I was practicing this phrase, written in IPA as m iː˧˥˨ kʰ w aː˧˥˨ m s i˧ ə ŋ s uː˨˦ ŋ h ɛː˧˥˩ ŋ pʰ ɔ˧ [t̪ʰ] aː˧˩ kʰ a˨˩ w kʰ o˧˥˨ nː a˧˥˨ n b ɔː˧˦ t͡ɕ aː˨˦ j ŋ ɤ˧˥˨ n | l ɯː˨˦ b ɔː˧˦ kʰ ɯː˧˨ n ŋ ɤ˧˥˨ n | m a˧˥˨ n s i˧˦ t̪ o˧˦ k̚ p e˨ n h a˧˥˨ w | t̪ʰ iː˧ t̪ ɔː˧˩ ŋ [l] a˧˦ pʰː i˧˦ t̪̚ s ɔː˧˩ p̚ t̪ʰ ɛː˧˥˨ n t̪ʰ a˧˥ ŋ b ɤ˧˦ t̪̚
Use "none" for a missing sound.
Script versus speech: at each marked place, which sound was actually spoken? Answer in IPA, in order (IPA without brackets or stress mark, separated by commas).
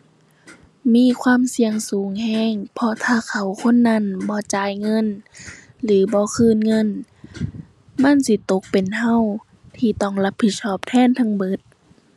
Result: t̪ʰ, l